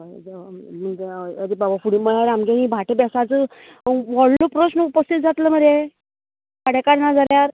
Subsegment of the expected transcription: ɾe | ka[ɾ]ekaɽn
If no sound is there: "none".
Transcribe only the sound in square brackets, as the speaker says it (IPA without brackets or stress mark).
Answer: ɽ